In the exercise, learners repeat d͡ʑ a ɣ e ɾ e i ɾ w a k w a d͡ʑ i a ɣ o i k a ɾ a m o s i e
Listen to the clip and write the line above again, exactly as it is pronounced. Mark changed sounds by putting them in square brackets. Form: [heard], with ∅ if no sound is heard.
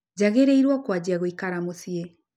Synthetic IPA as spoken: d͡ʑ a ɣ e ɾ e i ɾ w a k w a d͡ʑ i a ɣ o i k a ɾ a m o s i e